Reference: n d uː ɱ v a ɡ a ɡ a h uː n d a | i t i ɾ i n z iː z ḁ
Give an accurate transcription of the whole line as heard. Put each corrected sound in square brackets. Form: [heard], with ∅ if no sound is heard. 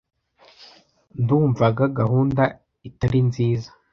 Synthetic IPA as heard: n d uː ɱ v a ɡ a ɡ a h uː n d a | i t [a] ɾ i n z iː z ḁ